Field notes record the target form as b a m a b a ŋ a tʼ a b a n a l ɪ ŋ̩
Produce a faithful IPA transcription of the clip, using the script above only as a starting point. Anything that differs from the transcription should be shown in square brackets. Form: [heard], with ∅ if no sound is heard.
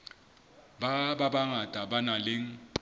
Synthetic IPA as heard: b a [b] a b a ŋ a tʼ a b a n a l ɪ ŋ̩